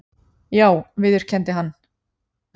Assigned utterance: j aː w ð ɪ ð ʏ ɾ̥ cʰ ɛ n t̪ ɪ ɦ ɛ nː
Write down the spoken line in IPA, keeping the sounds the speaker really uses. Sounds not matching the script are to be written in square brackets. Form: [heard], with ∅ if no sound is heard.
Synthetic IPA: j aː w [v] ɪ ð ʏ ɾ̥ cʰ ɛ n t̪ ɪ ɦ [a] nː

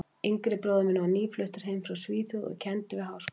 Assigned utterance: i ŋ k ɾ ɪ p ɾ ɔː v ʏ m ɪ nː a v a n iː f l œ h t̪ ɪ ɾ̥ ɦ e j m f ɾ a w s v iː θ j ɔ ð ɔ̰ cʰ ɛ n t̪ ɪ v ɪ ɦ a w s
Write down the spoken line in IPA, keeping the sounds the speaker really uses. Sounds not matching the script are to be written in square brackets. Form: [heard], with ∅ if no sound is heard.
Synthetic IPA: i ŋ k ɾ ɪ p ɾ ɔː [ð] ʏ m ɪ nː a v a n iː f l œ h t̪ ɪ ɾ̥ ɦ e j m f ɾ a w s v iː θ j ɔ ð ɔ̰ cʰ ɛ n t̪ ɪ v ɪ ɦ a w s

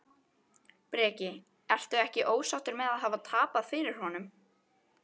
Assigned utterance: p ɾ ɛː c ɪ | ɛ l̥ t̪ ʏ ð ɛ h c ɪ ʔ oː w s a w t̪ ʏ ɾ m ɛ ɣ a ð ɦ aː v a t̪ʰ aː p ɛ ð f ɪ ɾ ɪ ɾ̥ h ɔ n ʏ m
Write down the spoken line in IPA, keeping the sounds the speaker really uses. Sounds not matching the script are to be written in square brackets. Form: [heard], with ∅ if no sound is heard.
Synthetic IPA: p ɾ ɛː c ɪ | ɛ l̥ t̪ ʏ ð ɛ h c ɪ ʔ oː w s a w t̪ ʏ ɾ m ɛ [ð] a ð ɦ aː v a t̪ʰ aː p [a] ð f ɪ ɾ ɪ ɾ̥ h ɔ n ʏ m

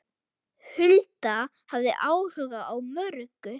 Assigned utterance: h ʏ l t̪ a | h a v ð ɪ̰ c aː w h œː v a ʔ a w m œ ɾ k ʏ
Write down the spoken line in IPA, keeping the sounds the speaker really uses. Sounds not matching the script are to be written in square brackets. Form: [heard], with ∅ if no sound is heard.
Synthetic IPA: h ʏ l t̪ a | h a v ð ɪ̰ [ʔ] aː w h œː [ɣ] a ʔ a w m œ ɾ k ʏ

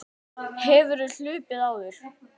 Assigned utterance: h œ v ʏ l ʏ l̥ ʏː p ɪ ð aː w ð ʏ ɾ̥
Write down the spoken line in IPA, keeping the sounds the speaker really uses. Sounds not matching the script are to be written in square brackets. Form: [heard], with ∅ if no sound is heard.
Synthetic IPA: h [ɛ] v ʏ [ɾ] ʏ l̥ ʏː p ɪ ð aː w ð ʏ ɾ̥

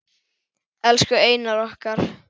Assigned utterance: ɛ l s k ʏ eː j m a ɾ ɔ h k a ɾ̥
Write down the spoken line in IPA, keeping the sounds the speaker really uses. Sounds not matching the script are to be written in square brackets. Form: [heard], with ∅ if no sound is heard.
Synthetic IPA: ɛ l s k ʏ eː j [n] a ɾ ɔ h k a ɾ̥

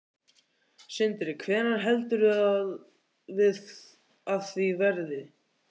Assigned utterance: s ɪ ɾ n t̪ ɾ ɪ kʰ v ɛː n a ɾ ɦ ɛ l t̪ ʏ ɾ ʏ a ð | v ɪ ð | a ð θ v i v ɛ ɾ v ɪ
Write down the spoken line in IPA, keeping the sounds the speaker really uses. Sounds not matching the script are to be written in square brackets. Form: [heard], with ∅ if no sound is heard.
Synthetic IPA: s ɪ [∅] n t̪ ɾ ɪ kʰ v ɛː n a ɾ ɦ ɛ l t̪ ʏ ɾ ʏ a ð | v ɪ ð | a ð θ v i v ɛ ɾ [ð] ɪ

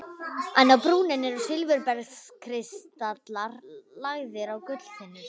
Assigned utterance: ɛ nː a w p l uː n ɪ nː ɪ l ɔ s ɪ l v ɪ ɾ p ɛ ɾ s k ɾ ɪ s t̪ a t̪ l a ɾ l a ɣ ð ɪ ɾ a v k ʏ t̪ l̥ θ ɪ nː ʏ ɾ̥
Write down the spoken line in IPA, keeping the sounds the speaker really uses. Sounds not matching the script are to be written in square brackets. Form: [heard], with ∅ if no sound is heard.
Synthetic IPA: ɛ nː a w p [ɾ] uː n ɪ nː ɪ [ɾ] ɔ s ɪ l v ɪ ɾ p ɛ ɾ s [kʰ] ɾ ɪ s t̪ a t̪ l a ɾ l a ɣ ð ɪ ɾ a [w] k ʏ t̪ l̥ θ ɪ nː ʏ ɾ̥

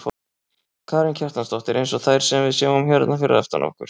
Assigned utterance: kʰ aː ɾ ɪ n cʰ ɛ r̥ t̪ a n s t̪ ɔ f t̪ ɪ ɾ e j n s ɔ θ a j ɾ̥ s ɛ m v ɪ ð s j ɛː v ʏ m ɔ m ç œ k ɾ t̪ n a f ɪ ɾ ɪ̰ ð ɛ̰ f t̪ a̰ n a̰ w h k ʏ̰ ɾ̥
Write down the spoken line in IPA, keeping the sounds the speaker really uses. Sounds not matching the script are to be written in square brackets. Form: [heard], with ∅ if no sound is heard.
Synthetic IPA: kʰ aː ɾ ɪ n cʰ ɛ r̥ t̪ a n s t̪ ɔ [h] t̪ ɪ ɾ e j n s ɔ θ a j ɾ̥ s ɛ m v ɪ ð s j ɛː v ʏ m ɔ m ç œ [∅] ɾ t̪ n a f ɪ ɾ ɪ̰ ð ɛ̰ f t̪ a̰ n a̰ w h k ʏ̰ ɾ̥

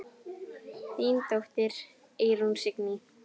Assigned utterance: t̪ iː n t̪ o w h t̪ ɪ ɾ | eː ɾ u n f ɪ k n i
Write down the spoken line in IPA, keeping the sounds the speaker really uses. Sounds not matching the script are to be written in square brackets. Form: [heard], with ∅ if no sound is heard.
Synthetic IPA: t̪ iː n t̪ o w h t̪ ɪ ɾ | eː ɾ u n [s] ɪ k n i

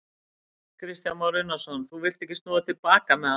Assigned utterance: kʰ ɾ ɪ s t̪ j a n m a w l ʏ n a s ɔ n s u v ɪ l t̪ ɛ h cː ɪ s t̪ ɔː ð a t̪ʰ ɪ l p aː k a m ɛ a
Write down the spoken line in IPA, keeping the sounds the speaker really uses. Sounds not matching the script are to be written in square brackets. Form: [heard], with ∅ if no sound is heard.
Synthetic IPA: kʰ ɾ ɪ s t̪ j a n m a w [ɾ] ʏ n a s ɔ n [θ] u v ɪ l t̪ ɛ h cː ɪ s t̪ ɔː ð a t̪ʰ ɪ l p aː k a m ɛ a

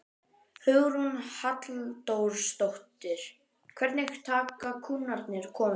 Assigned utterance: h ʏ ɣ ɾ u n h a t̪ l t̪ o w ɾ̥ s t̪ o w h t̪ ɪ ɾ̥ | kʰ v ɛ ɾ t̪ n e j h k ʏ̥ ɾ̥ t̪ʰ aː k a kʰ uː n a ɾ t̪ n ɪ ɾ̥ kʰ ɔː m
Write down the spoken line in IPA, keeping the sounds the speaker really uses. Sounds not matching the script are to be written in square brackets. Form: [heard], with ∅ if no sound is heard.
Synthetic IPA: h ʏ ɣ ɾ u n h a t̪ l t̪ o w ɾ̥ s t̪ o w h t̪ ɪ ɾ̥ | kʰ v ɛ ɾ t̪ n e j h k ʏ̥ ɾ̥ t̪ʰ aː k a kʰ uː n a ɾ t̪ n ɪ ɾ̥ kʰ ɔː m

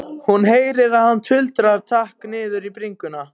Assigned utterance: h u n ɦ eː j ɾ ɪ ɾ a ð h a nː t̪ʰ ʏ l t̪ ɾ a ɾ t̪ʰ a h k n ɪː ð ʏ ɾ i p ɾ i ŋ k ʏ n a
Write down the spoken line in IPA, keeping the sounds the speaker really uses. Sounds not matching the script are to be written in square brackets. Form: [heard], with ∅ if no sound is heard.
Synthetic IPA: h u n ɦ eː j ɾ ɪ ɾ a ð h a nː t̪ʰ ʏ l t̪ ɾ a ɾ t̪ʰ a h k n ɪː ð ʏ ɾ i p ɾ i ŋ k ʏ n a

